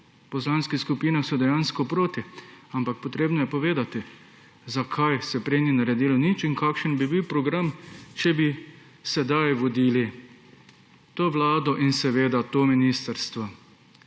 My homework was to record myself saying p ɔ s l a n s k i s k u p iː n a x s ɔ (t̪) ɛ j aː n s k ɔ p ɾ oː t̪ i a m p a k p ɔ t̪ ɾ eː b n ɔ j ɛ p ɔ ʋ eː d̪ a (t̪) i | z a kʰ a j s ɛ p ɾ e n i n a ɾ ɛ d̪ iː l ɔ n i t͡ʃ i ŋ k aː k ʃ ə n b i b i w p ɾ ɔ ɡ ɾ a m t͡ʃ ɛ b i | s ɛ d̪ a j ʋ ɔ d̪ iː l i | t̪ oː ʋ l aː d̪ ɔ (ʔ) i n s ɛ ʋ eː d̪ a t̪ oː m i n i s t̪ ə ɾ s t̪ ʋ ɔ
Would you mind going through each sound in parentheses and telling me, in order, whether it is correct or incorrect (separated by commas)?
incorrect, correct, correct